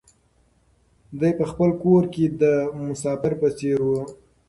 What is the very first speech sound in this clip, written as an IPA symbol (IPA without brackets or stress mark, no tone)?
d̪